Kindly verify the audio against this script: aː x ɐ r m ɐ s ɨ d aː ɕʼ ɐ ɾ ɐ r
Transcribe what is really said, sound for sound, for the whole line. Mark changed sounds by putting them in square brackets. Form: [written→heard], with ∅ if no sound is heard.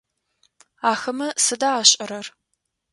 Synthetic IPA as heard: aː x ɐ [r→∅] m ɐ s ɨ d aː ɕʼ ɐ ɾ ɐ r